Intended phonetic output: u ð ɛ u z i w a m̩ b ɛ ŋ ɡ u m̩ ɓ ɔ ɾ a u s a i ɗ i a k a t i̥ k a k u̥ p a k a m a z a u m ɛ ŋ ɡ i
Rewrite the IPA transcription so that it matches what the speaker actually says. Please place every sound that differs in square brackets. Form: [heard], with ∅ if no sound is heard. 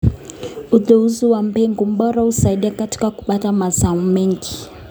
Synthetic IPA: u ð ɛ u z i w a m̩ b ɛ ŋ ɡ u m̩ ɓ ɔ ɾ a u s a i ɗ i a k a t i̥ k a k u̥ p a [t] a m a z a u m ɛ ŋ ɡ i

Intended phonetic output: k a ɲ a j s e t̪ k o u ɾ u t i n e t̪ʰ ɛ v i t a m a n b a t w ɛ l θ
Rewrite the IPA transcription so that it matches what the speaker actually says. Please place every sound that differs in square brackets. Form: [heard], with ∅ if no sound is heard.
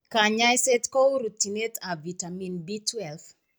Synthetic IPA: k a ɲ a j s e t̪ k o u ɾ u t i n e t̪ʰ [a] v i t a m [i] n b [i] t w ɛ l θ

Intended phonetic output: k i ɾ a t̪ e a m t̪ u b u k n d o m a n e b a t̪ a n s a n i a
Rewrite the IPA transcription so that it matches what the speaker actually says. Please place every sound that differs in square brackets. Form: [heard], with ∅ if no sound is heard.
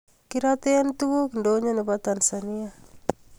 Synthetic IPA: k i ɾ a t̪ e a [n] t̪ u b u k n d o [ɲ] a n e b a t̪ a n s a n i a

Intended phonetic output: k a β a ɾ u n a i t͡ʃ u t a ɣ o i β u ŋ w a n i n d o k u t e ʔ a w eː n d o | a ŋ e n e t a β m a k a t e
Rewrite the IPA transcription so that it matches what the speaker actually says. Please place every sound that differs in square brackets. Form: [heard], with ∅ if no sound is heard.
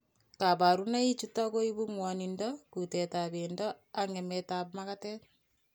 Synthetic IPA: k a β a ɾ u n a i t͡ʃ u t a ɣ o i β u ŋ w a n i n d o k u t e [t] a [β] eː n d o | a ŋ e [m] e t a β m a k a t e

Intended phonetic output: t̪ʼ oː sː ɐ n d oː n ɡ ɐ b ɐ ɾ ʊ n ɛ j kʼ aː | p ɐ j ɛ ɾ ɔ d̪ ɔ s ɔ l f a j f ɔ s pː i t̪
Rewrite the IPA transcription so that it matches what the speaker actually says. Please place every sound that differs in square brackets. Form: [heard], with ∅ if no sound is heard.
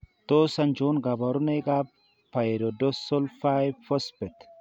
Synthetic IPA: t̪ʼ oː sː ɐ n [d͡ʒ] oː n ɡ ɐ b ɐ ɾ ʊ n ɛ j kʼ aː | p ɐ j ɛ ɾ ɔ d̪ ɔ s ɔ l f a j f ɔ s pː [ɛ] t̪

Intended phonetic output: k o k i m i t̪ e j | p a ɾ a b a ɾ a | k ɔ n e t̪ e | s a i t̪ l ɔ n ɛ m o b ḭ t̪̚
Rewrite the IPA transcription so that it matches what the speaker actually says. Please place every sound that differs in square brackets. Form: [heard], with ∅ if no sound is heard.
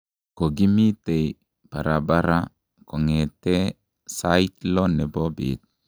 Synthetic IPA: k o [ɡ] i m i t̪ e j | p a ɾ a b a ɾ a | k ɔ [ŋ] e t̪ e | s a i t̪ l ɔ n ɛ [b] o b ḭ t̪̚

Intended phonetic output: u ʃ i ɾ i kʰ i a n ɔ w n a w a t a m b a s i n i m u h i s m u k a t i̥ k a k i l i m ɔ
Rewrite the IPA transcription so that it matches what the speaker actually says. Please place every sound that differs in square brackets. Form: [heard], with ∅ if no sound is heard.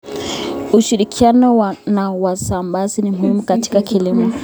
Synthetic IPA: u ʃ i ɾ i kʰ i a n ɔ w n a w a [s] a m b a [z] i n i m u h i [∅] m u k a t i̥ k a k i l i m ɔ

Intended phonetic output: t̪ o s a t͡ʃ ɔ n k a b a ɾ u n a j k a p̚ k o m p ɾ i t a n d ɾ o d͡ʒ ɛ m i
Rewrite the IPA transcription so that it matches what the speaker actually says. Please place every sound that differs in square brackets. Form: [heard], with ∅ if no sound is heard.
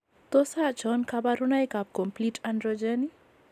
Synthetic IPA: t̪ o s a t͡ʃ ɔ n k a b a ɾ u n a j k a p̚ k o m p [l] i t a n d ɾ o d͡ʒ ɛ [n] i

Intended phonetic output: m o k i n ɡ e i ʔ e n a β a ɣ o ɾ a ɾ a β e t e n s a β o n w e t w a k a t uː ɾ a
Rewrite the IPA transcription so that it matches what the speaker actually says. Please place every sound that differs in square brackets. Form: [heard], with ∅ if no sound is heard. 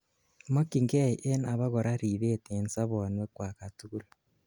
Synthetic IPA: m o k i [ŋ] ɡ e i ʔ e n a β a ɣ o ɾ a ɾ [i] β e t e n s a β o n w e [k] w a k a t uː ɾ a

